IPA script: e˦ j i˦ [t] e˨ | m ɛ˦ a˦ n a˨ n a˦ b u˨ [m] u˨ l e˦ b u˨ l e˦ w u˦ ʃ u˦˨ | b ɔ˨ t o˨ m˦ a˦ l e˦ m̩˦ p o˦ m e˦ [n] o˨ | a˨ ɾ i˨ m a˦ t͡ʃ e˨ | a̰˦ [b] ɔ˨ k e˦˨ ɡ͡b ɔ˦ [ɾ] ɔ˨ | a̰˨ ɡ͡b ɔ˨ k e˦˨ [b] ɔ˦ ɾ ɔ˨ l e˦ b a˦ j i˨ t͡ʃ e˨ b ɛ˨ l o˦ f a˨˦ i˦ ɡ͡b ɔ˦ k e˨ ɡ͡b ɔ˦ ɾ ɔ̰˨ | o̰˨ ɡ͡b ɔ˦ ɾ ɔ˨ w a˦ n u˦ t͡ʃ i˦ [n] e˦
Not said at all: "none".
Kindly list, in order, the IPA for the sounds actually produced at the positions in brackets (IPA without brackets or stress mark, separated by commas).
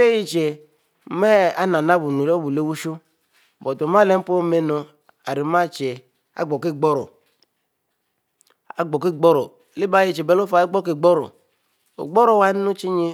t͡ʃ, n, n, ɡ͡b, ɾ, ɡ͡b, ɲ